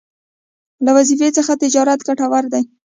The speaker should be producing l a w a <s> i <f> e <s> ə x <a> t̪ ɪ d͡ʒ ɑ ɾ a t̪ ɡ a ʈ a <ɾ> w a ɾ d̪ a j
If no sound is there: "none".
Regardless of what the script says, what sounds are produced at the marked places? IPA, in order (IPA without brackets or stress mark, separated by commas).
z, f, t͡s, a, none